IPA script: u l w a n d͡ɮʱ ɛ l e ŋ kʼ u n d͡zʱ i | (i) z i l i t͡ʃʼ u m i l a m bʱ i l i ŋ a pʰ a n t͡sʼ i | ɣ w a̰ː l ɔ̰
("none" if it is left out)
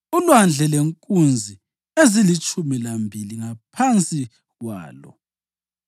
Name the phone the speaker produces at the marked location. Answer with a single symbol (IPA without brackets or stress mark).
e